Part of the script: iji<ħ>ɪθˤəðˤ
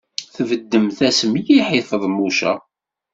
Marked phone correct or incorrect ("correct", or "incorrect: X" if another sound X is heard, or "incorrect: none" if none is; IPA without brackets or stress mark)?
correct